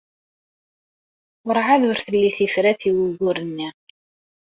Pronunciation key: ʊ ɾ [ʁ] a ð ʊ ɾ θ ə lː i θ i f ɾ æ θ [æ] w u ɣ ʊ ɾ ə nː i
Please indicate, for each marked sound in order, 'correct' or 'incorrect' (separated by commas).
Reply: incorrect, incorrect